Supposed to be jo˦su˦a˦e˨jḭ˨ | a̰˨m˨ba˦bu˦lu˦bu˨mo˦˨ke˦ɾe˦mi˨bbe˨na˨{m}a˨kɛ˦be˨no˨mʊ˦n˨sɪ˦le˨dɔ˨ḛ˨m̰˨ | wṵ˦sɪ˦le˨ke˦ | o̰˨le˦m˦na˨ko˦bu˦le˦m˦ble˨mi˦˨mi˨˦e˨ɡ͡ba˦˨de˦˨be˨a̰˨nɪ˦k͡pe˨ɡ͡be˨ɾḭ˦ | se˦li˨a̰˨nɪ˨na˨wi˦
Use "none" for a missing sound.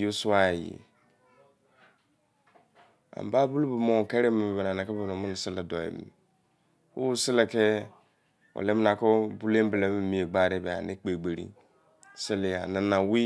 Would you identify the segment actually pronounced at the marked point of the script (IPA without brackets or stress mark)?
n